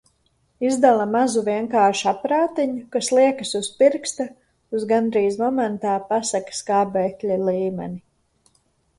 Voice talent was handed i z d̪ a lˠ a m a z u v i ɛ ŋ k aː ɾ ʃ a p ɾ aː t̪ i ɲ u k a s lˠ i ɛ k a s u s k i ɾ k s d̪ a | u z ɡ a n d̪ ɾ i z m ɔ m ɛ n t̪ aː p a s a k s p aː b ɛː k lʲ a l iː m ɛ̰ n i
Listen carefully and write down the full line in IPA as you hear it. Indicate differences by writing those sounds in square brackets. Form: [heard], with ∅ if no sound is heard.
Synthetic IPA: i z d̪ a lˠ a m a z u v i ɛ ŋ k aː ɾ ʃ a p ɾ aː t̪ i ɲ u k a s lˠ i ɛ k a s u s [p] i ɾ k s [t̪] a | u z ɡ a n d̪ ɾ [iː] z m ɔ m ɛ n t̪ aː p a s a k s [k] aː b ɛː k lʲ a l iː m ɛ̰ n i